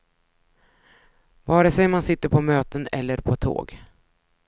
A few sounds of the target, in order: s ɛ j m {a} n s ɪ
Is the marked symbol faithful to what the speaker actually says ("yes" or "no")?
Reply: yes